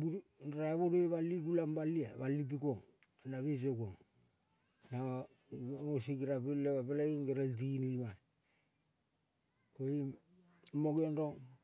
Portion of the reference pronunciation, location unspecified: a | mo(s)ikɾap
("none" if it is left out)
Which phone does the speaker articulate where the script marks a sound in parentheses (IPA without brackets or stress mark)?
s